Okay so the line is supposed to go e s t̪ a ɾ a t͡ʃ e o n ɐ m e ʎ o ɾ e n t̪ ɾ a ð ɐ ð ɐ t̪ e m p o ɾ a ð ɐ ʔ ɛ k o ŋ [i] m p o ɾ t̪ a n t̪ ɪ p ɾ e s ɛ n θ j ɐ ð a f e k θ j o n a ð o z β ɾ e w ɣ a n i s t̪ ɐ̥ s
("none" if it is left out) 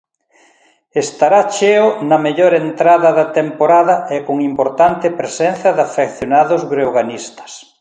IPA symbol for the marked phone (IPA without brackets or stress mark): i